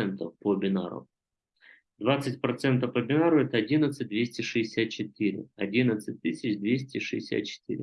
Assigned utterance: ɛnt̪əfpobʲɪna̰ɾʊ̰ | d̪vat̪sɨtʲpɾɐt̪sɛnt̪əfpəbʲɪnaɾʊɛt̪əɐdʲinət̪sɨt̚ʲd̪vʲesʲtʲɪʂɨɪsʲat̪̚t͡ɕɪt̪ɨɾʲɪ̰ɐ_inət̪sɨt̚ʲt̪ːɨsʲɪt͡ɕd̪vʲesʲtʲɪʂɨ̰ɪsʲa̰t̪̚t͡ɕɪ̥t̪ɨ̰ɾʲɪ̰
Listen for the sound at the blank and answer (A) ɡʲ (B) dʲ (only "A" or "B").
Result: B